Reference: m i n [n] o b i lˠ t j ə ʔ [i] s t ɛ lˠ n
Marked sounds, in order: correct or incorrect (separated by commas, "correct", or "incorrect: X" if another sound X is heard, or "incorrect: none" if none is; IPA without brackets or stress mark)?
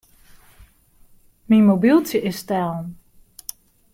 incorrect: m, incorrect: ɪ